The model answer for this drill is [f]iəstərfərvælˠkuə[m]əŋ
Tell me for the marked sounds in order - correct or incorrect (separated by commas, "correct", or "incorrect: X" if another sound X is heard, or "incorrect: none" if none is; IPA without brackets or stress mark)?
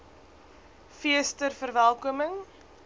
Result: correct, correct